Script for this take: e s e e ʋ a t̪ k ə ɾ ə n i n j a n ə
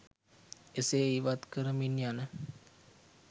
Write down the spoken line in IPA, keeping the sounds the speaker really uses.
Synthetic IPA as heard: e s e i ʋ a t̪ k ə ɾ ə m i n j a n ə